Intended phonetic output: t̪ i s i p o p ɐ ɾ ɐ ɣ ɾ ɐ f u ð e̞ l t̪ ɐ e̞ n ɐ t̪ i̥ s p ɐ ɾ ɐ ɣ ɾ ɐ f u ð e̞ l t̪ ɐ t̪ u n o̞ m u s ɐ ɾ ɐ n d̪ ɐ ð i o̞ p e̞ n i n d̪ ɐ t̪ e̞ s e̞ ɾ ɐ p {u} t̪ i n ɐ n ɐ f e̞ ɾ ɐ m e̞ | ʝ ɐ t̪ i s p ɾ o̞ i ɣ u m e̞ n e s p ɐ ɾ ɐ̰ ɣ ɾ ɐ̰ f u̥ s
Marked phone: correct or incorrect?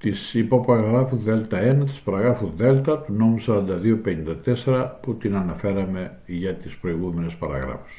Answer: correct